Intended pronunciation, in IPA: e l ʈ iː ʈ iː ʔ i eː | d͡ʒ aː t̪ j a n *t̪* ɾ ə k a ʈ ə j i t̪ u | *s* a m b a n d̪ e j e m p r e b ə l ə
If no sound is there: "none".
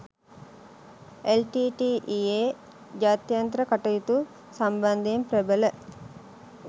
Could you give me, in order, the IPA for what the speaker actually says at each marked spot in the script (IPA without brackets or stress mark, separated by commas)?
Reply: t̪, s